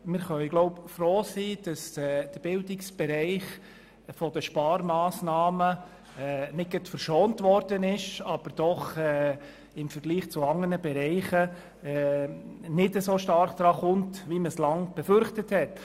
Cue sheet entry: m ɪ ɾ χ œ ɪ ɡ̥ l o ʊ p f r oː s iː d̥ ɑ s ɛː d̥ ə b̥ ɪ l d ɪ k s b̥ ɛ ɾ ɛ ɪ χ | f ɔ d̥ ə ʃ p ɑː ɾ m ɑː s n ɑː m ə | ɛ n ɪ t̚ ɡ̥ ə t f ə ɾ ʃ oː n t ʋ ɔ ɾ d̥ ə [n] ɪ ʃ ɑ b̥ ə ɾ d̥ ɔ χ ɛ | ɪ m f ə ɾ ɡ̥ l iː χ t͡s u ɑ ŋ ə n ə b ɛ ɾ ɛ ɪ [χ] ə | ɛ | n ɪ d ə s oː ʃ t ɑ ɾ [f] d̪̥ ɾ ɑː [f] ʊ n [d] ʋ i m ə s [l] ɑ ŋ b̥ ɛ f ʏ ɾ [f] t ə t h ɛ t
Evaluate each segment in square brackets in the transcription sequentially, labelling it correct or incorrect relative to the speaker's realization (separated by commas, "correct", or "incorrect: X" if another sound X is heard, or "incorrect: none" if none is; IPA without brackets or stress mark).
correct, correct, incorrect: χ, incorrect: χ, incorrect: t, correct, incorrect: χ